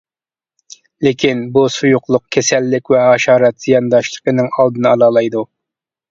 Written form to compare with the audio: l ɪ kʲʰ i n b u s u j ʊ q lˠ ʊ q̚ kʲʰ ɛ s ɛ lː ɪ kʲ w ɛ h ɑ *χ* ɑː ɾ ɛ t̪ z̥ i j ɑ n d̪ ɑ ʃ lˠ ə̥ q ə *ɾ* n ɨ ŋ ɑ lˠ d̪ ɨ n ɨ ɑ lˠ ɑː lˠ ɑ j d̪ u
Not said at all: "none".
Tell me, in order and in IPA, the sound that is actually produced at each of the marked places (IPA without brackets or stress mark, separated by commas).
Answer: ʃ, none